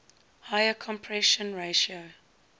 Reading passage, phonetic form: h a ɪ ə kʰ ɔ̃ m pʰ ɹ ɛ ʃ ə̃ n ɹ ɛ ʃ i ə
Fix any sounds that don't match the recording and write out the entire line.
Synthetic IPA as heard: h a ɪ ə kʰ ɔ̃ m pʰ ɹ ɛ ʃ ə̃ n ɹ e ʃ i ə

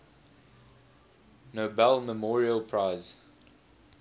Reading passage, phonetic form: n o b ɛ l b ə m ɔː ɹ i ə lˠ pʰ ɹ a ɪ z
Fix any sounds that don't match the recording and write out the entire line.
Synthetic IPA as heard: n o b ɛ l m ə m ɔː ɹ i ə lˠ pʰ ɹ a ɪ z

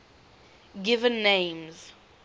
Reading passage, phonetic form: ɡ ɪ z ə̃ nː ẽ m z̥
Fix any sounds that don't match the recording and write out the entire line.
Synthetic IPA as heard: ɡ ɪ v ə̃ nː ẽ m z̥

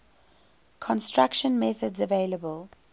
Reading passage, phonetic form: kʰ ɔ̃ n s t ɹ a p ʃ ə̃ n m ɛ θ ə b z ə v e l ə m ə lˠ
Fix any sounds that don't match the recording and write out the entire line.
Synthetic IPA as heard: kʰ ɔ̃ n s t ɹ a k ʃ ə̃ n m ɛ θ ə d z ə v e l ə b ə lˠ

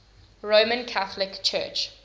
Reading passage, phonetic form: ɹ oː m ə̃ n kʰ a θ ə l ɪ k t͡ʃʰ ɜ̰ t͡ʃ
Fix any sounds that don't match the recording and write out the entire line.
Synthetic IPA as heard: ɹ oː m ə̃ n kʰ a θ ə l ɪ k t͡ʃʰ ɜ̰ t͡ʃ

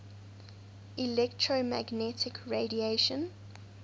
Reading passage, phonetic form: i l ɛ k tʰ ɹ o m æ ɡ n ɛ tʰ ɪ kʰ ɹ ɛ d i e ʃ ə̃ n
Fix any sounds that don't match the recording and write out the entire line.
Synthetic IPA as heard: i l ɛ k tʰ ɹ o m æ ɡ n ɛ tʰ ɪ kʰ ɹ e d i e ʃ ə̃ n

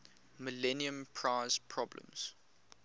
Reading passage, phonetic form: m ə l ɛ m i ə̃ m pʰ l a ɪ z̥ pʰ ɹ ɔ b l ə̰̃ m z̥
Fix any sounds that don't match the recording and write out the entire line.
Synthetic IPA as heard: m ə l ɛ n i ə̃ m pʰ ɹ a ɪ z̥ pʰ ɹ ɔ b l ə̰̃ m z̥

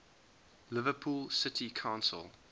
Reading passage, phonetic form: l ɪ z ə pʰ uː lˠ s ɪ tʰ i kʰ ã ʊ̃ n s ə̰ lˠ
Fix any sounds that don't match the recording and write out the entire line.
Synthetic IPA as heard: l ɪ v ə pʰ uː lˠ s ɪ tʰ i kʰ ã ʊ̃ n s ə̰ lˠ

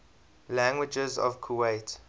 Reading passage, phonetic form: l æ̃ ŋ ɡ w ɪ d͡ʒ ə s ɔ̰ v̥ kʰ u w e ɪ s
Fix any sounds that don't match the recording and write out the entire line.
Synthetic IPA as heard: l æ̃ ŋ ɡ w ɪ d͡ʒ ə z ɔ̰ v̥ kʰ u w e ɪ t

